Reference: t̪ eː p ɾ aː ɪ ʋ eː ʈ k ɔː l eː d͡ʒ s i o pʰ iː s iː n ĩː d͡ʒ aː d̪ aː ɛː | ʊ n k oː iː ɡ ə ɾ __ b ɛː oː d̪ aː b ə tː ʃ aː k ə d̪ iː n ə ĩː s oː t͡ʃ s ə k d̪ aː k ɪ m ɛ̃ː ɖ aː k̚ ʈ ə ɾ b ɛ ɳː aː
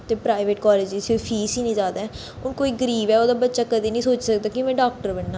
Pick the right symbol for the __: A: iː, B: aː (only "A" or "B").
A